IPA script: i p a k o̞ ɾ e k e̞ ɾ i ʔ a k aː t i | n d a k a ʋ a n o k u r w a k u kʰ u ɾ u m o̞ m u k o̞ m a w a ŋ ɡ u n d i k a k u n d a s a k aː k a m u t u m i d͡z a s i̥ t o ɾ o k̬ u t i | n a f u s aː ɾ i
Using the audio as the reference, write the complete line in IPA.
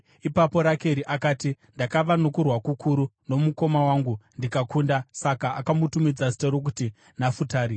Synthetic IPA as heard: i p a p o̞ ɾ a k e̞ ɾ i ʔ a k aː t i | n d a k a ʋ a n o k u r w a k u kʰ u ɾ u n o̞ m u k o̞ m a w a ŋ ɡ u n d i k a k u n d a s a k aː k a m u t u m i d͡z a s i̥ t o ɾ o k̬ u t i | n a f u t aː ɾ i